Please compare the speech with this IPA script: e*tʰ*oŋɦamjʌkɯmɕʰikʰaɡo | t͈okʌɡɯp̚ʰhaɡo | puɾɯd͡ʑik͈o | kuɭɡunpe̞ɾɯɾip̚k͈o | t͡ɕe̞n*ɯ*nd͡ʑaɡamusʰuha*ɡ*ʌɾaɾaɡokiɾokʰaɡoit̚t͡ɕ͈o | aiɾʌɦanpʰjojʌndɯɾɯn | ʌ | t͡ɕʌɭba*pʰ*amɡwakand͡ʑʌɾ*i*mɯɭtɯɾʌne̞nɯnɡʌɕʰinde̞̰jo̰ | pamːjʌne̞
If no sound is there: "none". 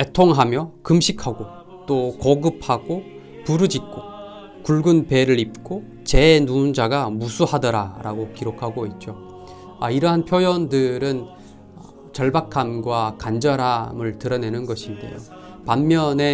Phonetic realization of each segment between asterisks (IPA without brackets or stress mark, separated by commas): tʰ, u, d, kʰ, a